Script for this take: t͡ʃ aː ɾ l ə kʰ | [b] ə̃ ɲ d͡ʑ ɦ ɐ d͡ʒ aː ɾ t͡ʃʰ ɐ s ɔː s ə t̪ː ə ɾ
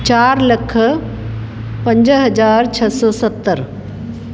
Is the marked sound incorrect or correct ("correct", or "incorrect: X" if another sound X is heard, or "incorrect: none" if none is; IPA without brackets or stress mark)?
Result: incorrect: p